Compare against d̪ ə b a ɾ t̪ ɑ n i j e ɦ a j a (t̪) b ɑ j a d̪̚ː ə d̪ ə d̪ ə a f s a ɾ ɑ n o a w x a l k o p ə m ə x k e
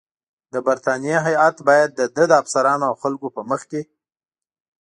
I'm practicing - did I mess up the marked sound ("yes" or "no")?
no